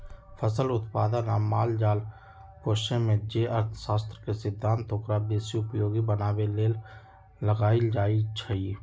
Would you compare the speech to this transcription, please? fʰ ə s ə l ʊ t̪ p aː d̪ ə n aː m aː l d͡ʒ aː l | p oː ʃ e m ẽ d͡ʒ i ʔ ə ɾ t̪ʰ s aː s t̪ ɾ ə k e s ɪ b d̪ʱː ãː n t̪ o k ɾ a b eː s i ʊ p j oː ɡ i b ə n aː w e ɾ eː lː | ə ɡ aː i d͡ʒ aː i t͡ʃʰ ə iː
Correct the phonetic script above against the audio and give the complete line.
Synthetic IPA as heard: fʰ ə s ə l ʊ t̪ p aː d̪ ə n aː m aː l d͡ʒ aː l | p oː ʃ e m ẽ d͡ʒ e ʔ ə ɾ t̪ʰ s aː s t̪ ɾ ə k e s ɪ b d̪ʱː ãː n t̪ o k ɾ a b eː s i ʊ p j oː ɡ i b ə n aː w e l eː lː | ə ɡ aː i d͡ʒ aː i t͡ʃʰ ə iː